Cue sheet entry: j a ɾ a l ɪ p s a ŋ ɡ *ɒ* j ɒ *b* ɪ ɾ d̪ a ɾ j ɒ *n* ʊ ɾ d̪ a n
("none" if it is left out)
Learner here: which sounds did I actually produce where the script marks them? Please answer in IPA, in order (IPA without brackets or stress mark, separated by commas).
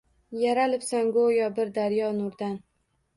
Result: o, b, n